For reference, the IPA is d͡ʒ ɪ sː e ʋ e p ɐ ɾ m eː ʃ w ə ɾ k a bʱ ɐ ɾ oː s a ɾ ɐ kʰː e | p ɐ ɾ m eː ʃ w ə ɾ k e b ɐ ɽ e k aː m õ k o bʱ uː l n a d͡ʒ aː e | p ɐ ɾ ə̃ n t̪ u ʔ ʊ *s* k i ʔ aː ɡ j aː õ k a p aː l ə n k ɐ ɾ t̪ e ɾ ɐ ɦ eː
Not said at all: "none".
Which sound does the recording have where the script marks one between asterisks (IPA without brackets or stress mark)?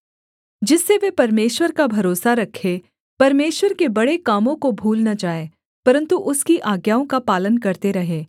s